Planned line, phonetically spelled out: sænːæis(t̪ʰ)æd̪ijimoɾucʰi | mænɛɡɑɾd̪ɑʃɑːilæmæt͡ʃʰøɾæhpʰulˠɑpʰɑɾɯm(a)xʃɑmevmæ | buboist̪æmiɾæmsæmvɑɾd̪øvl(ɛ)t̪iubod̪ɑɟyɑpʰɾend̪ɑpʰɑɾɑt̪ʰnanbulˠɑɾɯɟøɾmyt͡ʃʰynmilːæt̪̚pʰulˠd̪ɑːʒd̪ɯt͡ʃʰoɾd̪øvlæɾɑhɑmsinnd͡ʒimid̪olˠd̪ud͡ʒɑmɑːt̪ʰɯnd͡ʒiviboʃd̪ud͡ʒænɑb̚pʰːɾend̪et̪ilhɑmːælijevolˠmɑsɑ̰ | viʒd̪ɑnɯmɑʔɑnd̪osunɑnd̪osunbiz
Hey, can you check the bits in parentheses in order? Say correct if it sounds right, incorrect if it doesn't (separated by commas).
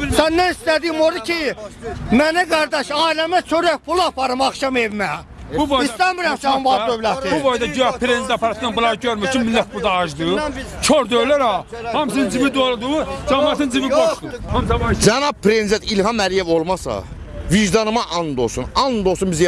incorrect, incorrect, incorrect